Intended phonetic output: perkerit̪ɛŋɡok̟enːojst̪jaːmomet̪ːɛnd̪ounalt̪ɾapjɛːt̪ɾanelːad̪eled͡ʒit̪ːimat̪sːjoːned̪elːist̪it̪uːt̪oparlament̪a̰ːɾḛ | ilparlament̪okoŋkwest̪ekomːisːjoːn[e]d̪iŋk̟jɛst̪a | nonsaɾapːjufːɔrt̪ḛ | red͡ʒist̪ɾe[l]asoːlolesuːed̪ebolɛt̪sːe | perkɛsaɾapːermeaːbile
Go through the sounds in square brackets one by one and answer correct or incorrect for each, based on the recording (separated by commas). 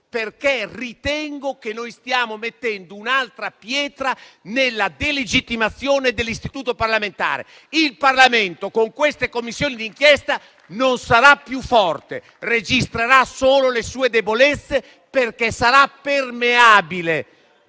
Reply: incorrect, incorrect